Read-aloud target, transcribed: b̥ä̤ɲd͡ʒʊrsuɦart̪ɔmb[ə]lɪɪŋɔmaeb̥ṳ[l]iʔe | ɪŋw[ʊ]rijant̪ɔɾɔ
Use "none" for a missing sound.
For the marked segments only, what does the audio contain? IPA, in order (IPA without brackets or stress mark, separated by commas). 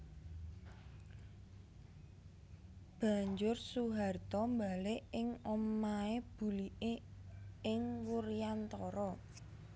a, l, u